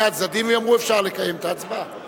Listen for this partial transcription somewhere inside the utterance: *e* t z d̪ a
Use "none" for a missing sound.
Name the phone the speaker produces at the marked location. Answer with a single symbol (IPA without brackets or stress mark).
a